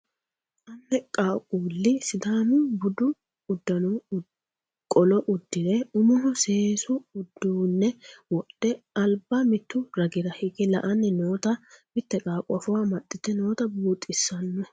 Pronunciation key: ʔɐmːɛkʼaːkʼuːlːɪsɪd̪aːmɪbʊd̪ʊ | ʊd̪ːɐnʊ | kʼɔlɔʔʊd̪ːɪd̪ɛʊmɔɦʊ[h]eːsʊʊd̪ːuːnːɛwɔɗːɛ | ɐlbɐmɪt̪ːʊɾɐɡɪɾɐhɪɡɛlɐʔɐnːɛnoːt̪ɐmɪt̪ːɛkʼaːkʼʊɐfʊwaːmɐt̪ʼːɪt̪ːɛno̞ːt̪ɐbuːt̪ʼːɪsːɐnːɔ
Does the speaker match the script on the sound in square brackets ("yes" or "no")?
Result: no